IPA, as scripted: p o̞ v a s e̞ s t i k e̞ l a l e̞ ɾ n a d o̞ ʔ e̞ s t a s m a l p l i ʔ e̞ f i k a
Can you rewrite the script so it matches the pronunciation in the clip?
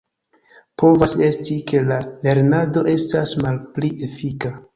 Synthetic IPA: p o̞ v a s e̞ s t i k e̞ l a l e̞ ɾ n a d o̞ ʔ e̞ s t a s m a l p l i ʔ e̞ f i k a

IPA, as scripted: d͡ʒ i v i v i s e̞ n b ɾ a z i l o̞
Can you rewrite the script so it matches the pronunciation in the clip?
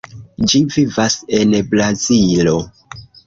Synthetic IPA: d͡ʒ i v i v a s e̞ n b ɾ a z i l o̞

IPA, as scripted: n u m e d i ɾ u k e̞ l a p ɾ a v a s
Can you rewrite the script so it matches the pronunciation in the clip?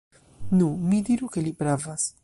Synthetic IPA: n u m i d i ɾ u k e̞ l i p ɾ a v a s

